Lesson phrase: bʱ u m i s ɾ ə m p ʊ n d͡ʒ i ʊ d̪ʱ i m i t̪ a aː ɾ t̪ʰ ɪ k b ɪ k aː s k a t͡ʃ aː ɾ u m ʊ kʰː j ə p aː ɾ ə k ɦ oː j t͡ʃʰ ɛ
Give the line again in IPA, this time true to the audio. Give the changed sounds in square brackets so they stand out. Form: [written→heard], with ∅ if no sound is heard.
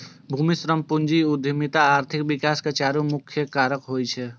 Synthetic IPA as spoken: bʱ u m i s ɾ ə m p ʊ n d͡ʒ i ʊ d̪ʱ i m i t̪ a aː ɾ t̪ʰ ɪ k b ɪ k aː s k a t͡ʃ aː ɾ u m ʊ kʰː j ə [p→k] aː ɾ ə k ɦ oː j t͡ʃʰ ɛ